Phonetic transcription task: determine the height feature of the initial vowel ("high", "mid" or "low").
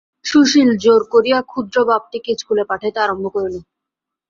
high